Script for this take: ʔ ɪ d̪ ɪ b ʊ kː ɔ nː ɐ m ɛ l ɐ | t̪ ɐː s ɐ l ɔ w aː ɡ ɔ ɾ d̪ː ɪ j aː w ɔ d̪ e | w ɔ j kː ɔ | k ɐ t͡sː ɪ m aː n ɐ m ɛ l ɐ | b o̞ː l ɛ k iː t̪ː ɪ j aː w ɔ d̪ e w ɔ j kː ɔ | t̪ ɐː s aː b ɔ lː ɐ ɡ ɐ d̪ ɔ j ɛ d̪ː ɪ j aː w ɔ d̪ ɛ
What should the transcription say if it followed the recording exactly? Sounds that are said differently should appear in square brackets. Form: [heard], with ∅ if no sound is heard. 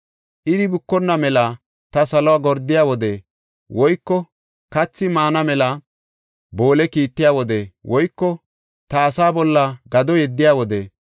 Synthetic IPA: ʔ ɪ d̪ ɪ b ʊ kː ɔ nː ɐ m ɛ l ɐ | t̪ [ɐ] s ɐ l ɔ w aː ɡ ɔ ɾ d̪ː ɪ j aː w ɔ d̪ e | w ɔ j kː ɔ | k ɐ t͡sː ɪ m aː n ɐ m ɛ l ɐ | b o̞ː l ɛ k iː t̪ː ɪ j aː w ɔ d̪ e w ɔ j kː ɔ | t̪ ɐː s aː b ɔ lː ɐ ɡ ɐ d̪ ɔ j ɛ d̪ː ɪ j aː w ɔ d̪ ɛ